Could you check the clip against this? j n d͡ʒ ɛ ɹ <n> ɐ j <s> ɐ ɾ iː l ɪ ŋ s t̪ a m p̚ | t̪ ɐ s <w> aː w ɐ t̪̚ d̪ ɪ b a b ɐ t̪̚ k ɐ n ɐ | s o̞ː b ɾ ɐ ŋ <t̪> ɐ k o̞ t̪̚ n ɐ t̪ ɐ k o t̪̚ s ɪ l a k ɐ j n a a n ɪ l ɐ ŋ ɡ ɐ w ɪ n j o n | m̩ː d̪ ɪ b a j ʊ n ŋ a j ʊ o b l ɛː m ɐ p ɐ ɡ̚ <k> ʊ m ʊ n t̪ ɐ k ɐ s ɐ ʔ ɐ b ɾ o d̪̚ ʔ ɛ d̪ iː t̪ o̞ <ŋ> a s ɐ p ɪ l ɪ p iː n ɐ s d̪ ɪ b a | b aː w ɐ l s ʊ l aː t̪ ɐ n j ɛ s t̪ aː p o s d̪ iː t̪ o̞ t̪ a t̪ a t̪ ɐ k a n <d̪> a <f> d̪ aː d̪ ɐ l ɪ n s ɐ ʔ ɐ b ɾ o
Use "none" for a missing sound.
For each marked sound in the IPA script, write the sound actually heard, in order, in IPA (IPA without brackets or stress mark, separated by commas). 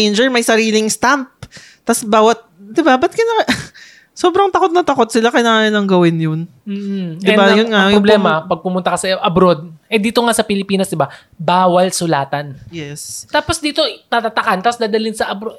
m, s, b, t̪, p, ŋ, t̪, s